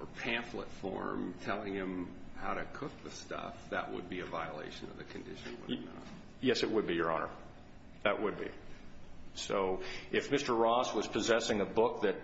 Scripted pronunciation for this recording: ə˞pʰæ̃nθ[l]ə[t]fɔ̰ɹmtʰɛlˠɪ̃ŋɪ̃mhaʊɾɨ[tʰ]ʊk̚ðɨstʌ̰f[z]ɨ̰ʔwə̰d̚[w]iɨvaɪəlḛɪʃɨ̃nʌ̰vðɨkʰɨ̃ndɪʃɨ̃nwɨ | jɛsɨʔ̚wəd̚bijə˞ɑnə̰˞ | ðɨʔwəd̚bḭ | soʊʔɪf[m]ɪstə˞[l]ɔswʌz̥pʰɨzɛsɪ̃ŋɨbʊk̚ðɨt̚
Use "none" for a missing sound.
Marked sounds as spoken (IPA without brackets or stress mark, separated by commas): l, t, kʰ, ð, b, m, ɹ